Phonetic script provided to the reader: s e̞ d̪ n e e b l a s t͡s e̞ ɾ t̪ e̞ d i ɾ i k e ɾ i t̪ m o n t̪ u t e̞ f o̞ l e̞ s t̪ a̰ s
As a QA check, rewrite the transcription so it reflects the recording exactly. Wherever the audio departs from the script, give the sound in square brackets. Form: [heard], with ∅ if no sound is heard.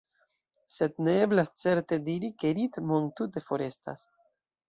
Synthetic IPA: s e̞ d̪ n e e b l a s t͡s e̞ ɾ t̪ e̞ d i ɾ i k e ɾ i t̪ m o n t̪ u t e̞ f o̞ [ɾ] e̞ s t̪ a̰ s